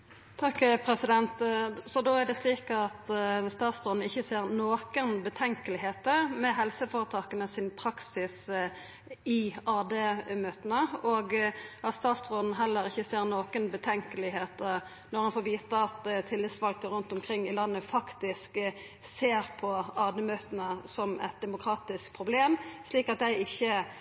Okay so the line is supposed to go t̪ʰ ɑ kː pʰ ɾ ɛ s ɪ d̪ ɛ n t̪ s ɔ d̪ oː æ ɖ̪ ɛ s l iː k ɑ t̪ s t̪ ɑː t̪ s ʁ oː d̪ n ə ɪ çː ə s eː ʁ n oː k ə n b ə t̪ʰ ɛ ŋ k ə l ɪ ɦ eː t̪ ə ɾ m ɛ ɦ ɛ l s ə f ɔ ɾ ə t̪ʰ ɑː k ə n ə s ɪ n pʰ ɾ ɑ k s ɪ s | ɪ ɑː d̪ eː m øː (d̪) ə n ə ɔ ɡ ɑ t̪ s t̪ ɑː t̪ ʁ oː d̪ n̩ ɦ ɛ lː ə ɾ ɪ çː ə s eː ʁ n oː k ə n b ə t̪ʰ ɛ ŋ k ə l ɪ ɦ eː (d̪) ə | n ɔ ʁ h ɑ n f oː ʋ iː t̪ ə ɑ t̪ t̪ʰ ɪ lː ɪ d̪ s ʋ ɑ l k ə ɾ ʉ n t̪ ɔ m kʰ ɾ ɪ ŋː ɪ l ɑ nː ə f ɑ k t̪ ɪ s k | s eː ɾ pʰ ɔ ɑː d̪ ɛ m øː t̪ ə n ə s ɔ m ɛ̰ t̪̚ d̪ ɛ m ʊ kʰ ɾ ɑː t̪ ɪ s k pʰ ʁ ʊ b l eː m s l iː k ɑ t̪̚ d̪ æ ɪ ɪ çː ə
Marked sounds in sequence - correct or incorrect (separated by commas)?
incorrect, incorrect